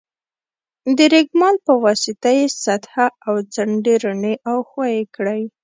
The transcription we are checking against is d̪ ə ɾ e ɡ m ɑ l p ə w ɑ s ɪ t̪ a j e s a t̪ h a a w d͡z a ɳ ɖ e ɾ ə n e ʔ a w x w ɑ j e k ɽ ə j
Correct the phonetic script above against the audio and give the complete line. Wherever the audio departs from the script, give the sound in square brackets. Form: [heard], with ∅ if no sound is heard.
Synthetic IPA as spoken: d̪ ə ɾ e ɡ m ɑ l p ə w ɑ s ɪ t̪ a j e s a t̪ h a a w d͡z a ɳ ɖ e ɾ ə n e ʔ a w x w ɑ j e k ɽ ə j